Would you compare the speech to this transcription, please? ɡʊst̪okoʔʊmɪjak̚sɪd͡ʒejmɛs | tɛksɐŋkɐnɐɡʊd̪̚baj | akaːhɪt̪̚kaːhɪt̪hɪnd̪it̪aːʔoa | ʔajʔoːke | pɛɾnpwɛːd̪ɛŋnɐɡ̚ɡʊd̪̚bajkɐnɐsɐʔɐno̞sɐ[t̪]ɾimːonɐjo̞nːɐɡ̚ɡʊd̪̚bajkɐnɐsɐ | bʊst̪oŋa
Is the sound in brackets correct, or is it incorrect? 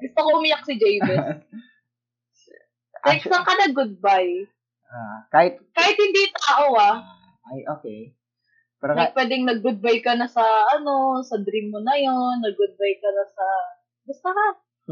incorrect